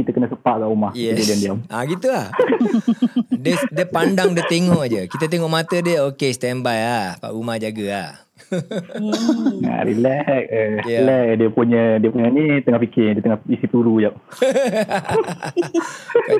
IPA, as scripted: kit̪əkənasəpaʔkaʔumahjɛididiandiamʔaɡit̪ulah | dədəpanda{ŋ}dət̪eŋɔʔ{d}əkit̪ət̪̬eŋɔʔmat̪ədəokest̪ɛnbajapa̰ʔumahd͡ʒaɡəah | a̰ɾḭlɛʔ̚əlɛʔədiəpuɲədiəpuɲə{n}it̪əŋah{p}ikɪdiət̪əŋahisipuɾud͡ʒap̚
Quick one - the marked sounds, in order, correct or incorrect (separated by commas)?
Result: correct, incorrect, correct, correct